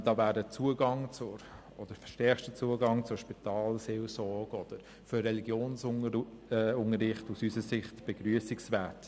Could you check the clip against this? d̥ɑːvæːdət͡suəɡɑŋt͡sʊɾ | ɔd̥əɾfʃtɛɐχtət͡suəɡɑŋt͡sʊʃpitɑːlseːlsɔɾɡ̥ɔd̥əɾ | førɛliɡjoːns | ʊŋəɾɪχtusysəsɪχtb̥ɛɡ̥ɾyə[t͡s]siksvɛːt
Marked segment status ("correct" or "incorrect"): incorrect